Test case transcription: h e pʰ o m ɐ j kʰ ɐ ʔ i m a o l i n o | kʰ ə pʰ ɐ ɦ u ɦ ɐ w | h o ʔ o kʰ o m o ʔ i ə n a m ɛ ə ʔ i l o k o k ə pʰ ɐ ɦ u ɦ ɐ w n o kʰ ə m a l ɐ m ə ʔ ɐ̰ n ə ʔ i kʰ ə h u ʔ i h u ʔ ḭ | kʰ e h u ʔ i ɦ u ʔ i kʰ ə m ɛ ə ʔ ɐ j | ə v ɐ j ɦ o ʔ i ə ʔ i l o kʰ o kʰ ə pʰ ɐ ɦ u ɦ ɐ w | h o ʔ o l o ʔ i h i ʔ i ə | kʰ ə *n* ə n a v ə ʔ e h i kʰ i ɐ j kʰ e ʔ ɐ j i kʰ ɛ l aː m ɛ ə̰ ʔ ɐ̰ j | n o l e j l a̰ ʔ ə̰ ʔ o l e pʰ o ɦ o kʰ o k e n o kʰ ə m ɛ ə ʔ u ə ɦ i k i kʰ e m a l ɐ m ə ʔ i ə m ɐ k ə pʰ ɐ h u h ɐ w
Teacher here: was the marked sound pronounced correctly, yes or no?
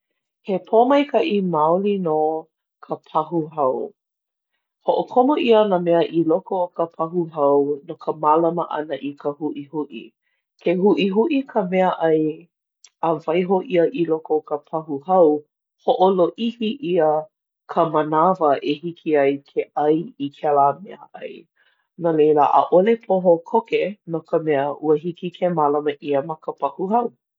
no